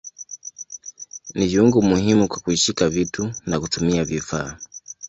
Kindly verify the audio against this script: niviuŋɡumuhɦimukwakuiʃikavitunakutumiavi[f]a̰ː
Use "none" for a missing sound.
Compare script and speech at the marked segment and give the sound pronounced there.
f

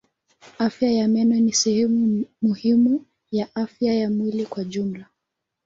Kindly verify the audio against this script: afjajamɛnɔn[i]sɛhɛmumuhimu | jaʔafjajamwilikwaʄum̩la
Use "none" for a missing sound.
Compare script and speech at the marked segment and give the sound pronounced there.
i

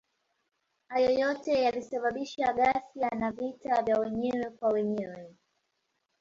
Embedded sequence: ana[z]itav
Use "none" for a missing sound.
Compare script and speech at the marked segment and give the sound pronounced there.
v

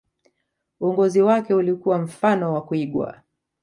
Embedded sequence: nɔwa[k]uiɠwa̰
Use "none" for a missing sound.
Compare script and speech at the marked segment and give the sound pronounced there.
k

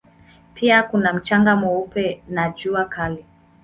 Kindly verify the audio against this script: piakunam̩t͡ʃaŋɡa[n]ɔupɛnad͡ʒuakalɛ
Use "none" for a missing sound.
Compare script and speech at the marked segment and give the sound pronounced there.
m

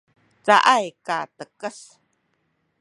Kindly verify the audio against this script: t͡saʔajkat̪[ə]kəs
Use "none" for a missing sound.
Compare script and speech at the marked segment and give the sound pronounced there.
ə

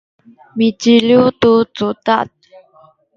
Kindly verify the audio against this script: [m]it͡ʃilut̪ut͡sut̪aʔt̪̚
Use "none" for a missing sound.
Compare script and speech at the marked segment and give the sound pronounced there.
m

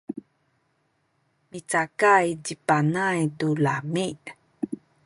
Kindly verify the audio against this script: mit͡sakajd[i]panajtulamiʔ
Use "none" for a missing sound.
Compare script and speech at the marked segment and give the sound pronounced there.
i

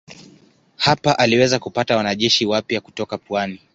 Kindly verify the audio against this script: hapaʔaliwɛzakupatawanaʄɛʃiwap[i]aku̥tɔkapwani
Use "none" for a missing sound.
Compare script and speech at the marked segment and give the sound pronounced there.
j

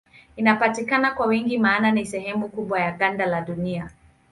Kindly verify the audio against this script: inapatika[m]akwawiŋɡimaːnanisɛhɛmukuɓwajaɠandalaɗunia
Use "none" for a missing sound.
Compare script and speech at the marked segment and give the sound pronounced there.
n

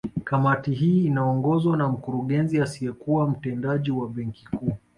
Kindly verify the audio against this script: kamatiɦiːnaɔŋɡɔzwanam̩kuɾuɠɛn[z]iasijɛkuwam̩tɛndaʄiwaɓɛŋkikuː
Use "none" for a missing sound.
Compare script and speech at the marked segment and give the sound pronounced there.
z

